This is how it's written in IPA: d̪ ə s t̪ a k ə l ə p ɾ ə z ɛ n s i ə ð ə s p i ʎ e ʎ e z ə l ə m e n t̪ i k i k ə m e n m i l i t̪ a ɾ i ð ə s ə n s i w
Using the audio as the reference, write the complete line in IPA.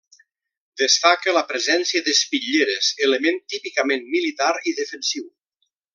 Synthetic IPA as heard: d̪ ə s t̪ a k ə l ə p ɾ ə z ɛ n s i ə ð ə s p i ʎ e ɾ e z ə l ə m e n t̪ i p i k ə m e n m i l i t̪ a ɾ i ð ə f ə n s i w